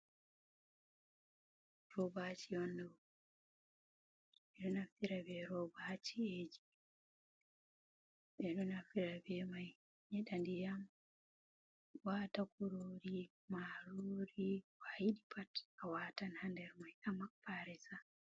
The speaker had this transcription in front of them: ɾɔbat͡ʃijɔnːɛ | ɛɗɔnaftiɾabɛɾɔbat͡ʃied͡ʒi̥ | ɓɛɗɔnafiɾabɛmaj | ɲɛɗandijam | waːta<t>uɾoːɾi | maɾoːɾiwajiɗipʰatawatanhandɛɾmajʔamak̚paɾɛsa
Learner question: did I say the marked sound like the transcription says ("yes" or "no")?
no